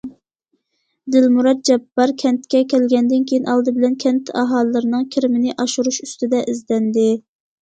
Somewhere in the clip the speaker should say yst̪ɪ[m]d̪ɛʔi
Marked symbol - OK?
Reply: no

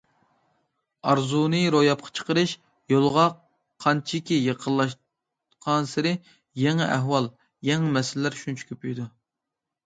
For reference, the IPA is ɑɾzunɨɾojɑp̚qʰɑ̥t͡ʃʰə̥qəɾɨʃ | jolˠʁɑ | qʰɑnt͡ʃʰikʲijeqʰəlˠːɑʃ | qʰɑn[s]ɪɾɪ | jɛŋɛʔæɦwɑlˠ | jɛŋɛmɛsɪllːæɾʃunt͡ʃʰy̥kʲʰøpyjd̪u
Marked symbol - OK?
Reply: yes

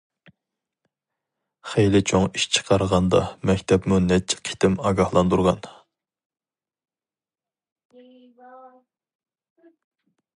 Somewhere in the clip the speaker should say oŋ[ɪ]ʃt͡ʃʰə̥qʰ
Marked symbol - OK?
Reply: no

